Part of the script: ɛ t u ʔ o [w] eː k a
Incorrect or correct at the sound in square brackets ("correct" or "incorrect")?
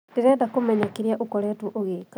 incorrect